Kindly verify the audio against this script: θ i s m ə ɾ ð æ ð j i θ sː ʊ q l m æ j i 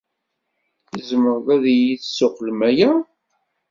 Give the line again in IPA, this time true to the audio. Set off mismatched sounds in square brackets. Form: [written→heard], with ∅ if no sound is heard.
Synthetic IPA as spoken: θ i [s→z] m ə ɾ ð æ ð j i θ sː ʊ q l m æ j [i→æ]